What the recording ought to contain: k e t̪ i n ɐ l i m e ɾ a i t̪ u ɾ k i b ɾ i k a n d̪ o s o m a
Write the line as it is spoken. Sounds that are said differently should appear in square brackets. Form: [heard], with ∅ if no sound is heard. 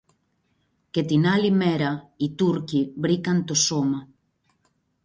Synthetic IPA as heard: k e t̪ i n [a] l i m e ɾ a i t̪ u ɾ k i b ɾ i k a n [t̪] o s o m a